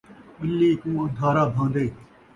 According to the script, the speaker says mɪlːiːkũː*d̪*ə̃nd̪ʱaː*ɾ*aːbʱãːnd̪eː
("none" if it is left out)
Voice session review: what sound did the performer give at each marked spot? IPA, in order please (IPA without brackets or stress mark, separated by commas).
none, ɾ